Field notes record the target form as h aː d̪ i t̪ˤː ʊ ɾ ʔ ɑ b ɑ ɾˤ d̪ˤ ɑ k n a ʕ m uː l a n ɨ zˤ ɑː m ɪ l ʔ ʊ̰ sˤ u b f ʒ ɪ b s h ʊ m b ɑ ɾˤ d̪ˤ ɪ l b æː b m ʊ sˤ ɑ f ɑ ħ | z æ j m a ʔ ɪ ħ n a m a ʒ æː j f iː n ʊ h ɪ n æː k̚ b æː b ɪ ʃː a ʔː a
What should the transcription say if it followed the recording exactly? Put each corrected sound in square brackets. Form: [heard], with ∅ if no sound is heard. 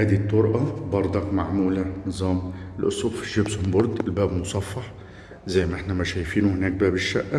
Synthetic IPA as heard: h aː d̪ i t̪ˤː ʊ ɾ ʔ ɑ b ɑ ɾˤ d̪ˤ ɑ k [m] a ʕ m uː l a n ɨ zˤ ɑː m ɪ l ʔ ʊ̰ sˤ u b f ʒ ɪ b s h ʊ m b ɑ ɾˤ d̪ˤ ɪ l b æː b m ʊ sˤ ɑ [fː] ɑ ħ | z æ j m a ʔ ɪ ħ n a m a [ʃ] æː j f iː n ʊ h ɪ n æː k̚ b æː b ɪ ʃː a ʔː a